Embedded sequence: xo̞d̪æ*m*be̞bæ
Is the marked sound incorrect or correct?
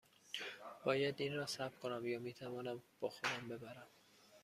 correct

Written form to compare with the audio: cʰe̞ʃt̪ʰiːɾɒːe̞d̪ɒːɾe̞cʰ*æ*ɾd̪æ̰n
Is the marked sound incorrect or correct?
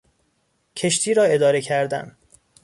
correct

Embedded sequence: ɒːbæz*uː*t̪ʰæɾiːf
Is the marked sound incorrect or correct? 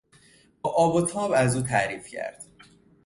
correct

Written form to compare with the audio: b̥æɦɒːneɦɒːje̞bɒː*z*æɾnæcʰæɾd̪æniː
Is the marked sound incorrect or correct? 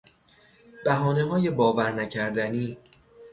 incorrect: v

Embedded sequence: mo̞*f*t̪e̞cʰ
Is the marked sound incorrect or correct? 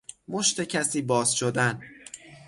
incorrect: ʃ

